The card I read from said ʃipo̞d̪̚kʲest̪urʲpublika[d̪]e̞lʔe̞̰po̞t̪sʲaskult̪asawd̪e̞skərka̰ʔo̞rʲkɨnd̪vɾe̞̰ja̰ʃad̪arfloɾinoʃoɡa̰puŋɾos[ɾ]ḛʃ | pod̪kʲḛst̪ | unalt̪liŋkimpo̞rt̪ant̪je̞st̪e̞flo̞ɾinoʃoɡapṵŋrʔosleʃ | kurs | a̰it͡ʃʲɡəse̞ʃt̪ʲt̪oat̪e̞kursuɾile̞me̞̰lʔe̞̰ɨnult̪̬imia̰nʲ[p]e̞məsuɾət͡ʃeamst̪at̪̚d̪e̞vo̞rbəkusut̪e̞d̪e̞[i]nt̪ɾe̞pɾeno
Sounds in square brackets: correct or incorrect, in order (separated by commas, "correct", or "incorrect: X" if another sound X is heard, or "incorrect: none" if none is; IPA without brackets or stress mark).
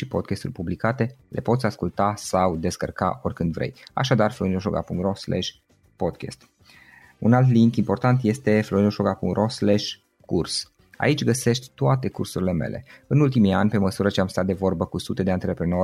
incorrect: t̪, incorrect: l, correct, incorrect: a